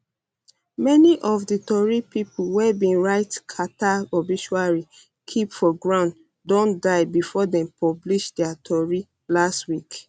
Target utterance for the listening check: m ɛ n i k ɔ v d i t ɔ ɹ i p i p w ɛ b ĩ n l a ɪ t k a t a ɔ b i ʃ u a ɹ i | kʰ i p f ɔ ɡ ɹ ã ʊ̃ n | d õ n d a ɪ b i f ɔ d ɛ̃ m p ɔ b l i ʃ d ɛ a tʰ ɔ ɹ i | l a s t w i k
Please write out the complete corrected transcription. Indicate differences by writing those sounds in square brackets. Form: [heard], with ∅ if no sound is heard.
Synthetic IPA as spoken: m ɛ n i [ʔ] ɔ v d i t ɔ ɹ i p i p w ɛ b ĩ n [ɹ] a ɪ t [kʰ] a t a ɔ b i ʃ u a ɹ i | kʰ i p f ɔ ɡ ɹ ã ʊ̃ n | d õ n d a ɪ b i f ɔ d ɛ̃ m p ɔ b l i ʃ d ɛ a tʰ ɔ ɹ i | l a s t w i k